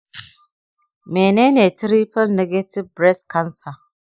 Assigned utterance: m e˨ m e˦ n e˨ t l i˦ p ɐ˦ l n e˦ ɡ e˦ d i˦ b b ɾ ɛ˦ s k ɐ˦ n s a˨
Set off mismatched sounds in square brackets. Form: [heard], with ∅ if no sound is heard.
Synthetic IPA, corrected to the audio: m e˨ [n] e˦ n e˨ t [ɾ] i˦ p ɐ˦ l n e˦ ɡ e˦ [t] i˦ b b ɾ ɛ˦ s k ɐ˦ n s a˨

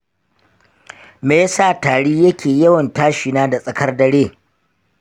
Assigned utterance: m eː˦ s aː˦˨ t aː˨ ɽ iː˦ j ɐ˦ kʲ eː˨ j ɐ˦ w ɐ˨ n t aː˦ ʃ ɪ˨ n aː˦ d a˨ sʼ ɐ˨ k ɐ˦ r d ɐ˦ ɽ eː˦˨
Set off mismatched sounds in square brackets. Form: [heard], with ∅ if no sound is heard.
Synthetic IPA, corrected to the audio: m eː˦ s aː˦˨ t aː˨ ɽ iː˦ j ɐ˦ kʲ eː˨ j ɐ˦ w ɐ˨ n t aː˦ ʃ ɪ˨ n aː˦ d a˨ sʼ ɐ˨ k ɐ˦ r d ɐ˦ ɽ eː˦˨

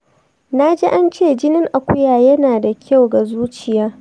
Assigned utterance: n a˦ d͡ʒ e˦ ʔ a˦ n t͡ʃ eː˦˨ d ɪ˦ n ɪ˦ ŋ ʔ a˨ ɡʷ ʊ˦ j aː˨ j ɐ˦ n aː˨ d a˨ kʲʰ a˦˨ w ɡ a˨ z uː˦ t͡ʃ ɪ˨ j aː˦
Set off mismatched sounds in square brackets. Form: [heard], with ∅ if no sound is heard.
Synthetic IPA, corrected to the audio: n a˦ d͡ʒ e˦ ʔ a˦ n t͡ʃ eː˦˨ [d͡ʒ] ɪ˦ n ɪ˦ ŋ ʔ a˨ [kʷ] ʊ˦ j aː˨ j ɐ˦ n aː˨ d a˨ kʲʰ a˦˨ w ɡ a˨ z uː˦ t͡ʃ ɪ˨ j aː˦

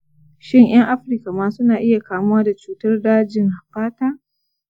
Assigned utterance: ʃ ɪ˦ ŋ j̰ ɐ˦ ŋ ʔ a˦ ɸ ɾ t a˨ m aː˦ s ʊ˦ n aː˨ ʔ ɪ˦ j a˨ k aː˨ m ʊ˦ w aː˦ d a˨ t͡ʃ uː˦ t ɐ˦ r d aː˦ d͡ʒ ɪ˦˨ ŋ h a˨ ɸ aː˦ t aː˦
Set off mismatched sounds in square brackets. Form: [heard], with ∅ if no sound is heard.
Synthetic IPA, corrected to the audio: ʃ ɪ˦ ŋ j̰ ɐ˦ ŋ ʔ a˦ ɸ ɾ [k] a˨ m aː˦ s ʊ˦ n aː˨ ʔ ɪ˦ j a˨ k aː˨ m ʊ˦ w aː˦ d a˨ t͡ʃ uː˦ t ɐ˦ r d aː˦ d͡ʒ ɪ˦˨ ŋ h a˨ ɸ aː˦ t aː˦

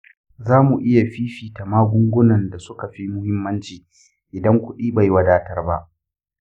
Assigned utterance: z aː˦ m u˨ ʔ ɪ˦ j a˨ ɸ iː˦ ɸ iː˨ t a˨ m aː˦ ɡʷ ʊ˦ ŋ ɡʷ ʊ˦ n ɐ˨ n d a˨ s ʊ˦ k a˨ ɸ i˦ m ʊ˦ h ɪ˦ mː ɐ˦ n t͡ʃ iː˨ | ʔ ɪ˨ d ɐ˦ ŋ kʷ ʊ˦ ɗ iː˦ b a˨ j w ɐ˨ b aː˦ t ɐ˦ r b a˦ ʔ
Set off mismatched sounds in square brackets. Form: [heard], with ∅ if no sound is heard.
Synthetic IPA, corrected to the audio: z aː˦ m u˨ ʔ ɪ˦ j a˨ ɸ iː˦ ɸ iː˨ t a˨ m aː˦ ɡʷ ʊ˦ ŋ ɡʷ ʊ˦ n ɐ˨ n d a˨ s ʊ˦ k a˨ ɸ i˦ m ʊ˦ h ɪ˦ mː ɐ˦ n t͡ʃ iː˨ | ʔ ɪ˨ d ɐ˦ ŋ kʷ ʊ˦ ɗ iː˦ b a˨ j w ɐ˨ [d] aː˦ t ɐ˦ r b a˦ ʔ

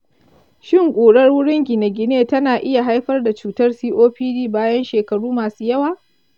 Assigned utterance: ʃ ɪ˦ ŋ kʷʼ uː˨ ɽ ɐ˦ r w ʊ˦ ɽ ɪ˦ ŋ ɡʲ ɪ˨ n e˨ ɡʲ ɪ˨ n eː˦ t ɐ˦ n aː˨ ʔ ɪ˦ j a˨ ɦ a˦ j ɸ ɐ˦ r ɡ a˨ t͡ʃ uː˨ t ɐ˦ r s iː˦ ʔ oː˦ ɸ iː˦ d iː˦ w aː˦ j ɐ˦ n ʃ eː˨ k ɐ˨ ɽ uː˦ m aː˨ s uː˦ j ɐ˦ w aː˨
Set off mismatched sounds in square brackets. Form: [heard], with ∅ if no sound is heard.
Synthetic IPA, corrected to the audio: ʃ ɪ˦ ŋ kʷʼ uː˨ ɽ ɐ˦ r w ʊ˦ ɽ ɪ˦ ŋ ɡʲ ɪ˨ n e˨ ɡʲ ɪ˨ n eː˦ t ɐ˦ n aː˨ ʔ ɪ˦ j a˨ ɦ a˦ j ɸ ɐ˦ r [d] a˨ t͡ʃ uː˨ t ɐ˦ r s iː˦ ʔ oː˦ ɸ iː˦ d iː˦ [b] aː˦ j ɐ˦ n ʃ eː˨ k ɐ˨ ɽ uː˦ m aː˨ s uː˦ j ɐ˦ w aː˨

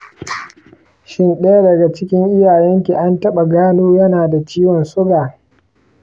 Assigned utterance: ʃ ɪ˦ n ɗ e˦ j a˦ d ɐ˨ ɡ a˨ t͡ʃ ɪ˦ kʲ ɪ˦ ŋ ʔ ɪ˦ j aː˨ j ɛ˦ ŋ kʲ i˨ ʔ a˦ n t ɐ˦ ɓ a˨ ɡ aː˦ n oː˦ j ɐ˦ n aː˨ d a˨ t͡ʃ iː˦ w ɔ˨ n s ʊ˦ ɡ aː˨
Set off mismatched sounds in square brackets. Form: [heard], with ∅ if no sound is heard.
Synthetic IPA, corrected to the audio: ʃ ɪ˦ n ɗ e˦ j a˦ d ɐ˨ ɡ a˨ t͡ʃ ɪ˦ kʲ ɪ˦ ŋ ʔ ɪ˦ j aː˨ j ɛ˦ ŋ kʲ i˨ ʔ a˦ n t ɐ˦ ɓ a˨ ɡ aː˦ n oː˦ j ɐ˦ n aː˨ d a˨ t͡ʃ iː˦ w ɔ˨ n s ʊ˦ ɡ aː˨

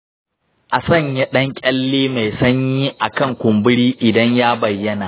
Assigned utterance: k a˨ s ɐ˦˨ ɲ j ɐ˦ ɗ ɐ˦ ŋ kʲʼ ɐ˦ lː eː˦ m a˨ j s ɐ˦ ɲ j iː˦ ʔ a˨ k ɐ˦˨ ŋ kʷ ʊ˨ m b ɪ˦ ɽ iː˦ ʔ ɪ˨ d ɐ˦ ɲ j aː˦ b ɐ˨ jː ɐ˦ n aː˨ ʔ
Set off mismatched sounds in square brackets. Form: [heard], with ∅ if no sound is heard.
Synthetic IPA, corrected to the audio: [ʔ] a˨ s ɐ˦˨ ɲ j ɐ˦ ɗ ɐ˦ ŋ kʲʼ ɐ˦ lː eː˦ m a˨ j s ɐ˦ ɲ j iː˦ ʔ a˨ k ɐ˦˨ ŋ kʷ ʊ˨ m b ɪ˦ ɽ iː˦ ʔ ɪ˨ d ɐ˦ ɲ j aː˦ b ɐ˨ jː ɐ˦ n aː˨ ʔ

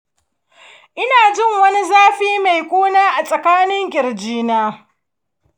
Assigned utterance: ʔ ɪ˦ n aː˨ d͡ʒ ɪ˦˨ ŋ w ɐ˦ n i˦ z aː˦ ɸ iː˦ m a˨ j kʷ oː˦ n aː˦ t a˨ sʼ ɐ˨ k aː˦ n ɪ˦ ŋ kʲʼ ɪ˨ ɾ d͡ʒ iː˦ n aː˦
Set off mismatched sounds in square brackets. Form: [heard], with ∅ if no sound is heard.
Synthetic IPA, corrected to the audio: ʔ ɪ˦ n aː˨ d͡ʒ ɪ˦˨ ŋ w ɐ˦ n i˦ z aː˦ ɸ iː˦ m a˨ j kʷ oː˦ n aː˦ [ʔ] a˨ sʼ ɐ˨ k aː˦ n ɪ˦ ŋ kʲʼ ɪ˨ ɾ d͡ʒ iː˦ n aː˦

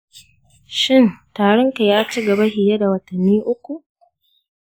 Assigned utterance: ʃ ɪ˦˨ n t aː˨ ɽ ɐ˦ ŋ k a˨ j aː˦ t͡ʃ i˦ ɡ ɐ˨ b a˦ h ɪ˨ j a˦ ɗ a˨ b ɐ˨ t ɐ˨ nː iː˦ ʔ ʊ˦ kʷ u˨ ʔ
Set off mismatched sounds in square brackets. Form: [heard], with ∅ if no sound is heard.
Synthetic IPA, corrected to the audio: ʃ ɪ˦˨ n t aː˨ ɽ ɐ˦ ŋ k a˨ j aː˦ t͡ʃ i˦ ɡ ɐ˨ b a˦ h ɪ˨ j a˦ [d] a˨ [w] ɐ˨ t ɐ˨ nː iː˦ ʔ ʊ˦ kʷ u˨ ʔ

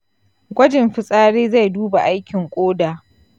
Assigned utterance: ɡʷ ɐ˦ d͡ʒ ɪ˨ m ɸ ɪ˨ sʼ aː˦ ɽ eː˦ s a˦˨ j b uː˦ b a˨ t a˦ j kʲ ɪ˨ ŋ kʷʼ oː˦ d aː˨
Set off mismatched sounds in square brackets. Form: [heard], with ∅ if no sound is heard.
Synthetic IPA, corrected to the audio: ɡʷ ɐ˦ d͡ʒ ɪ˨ m ɸ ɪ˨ sʼ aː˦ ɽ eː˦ [z] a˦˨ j [d] uː˦ b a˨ [ʔ] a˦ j kʲ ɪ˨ ŋ kʷʼ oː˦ d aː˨

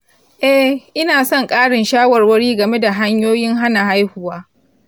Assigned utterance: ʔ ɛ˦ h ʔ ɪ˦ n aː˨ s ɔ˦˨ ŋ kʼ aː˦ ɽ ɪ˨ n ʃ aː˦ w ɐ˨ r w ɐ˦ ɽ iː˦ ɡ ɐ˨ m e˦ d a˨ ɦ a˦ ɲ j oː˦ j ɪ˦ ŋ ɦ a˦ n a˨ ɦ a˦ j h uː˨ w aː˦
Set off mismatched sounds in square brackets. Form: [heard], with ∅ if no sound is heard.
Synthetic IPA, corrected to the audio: ʔ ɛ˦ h ʔ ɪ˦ n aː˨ s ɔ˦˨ ŋ kʼ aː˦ ɽ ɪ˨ n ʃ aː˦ w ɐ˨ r w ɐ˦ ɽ iː˦ ɡ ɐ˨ m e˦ d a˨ ɦ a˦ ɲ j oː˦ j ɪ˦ ŋ ɦ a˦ n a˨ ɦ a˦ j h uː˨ w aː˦

